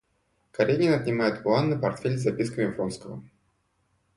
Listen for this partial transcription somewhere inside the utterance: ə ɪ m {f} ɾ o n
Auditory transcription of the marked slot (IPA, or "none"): f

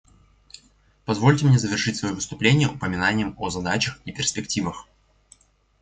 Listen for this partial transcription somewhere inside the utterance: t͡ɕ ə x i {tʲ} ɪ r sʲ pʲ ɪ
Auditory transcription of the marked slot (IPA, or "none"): pʲ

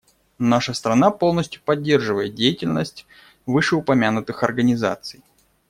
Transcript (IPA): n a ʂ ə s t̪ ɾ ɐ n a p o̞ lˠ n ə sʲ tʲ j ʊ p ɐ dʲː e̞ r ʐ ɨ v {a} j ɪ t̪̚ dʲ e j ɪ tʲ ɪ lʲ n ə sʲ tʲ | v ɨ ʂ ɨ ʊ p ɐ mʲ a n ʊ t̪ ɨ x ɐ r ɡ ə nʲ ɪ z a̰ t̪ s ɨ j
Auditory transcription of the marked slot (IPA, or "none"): ə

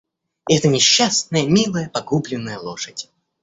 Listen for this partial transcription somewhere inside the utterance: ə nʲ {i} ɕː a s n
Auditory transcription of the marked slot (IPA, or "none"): ɪ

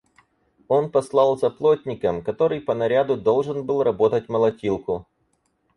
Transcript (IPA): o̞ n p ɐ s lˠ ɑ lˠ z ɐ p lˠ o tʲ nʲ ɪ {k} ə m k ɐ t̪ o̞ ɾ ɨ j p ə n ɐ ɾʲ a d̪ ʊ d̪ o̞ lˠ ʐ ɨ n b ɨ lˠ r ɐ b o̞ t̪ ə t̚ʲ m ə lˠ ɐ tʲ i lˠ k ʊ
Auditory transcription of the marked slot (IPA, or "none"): k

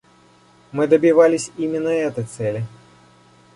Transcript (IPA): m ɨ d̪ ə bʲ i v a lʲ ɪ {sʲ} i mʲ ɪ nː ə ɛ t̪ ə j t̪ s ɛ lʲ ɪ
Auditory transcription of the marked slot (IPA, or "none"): sʲ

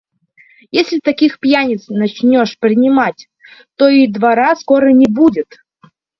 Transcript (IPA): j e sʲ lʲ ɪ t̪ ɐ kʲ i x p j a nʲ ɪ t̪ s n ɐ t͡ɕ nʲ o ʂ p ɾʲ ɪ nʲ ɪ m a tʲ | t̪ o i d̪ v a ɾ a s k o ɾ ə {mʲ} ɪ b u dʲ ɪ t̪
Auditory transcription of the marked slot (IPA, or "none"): nʲ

